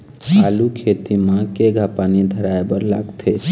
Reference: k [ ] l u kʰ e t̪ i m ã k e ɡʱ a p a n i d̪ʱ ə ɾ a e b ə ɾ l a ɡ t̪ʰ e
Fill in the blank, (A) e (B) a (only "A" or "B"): B